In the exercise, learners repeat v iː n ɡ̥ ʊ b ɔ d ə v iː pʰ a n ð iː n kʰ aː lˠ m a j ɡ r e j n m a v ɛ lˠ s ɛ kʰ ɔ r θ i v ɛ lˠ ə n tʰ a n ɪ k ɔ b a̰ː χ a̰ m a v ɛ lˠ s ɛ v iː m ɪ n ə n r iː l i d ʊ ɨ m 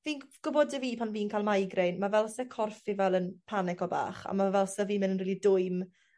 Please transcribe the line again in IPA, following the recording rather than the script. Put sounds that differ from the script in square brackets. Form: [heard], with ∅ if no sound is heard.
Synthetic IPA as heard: v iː n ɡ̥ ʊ b ɔ d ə v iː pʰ a n [v] iː n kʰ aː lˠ m a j ɡ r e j n m a v ɛ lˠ s ɛ kʰ ɔ r [f] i v ɛ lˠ ə n [pʰ] a n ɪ k ɔ b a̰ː χ a̰ m a v ɛ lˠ s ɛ v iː m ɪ n ə n r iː l i d ʊ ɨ m